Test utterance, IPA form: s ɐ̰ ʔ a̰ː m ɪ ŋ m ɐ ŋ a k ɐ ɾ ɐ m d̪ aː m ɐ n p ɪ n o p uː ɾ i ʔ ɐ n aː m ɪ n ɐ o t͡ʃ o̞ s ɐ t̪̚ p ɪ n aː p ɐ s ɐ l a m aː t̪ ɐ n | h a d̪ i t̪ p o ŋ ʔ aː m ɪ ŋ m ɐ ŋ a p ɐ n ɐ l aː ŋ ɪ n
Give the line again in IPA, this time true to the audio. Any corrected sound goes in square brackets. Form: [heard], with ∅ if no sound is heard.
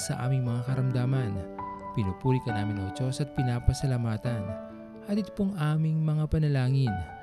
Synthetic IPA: s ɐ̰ ʔ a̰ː m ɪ ŋ m ɐ ŋ a k ɐ ɾ ɐ m d̪ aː m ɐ n p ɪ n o p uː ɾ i [k] ɐ n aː m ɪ n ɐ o t͡ʃ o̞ s ɐ t̪̚ p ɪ n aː p ɐ s ɐ l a m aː t̪ ɐ n | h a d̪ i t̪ p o ŋ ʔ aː m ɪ ŋ m ɐ ŋ a p ɐ n ɐ l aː ŋ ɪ n